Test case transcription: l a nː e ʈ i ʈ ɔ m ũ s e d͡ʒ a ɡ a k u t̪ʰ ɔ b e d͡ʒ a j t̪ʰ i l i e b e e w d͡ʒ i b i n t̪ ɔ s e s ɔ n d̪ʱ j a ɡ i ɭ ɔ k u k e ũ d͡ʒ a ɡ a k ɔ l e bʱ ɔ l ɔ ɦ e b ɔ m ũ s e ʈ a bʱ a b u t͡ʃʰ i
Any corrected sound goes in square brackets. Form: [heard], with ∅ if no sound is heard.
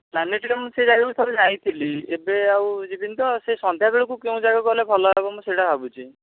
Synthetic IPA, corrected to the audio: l a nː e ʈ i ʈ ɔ m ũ s e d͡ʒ a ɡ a k u t̪ʰ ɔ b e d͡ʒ a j t̪ʰ i l i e b e [a] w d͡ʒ i b i n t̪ ɔ s e s ɔ n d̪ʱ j a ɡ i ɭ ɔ k u k e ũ d͡ʒ a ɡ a k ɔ l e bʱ ɔ l ɔ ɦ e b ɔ m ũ s e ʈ a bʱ a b u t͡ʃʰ i